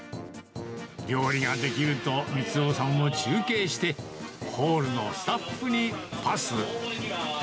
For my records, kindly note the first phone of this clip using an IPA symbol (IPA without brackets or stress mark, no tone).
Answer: ɡʲ